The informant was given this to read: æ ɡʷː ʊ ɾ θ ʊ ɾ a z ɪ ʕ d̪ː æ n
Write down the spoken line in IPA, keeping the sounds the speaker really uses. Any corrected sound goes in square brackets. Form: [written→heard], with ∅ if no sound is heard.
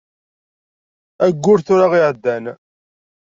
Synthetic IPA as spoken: æ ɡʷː ʊ ɾ θ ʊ ɾ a [z→ʁ] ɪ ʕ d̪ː æ n

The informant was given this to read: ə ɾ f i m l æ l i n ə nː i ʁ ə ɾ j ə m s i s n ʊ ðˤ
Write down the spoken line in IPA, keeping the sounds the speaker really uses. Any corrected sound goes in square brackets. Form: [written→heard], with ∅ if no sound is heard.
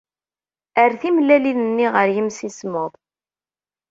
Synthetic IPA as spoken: ə ɾ [f→θ] i m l æ l i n ə nː i ʁ ə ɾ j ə m s i s [n→m] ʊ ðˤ

